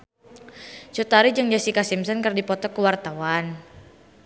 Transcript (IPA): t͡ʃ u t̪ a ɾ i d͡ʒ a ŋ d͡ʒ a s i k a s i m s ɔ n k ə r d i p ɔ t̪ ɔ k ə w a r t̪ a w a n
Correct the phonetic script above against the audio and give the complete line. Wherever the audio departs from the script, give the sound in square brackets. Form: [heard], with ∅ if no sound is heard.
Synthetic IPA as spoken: t͡ʃ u t̪ a ɾ i d͡ʒ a ŋ d͡ʒ a s i k a s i m s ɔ n k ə r d i p ɔ t̪ ɔ k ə w a r t̪ a w a n